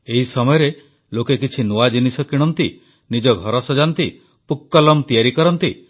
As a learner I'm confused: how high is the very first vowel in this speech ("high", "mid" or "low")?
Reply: mid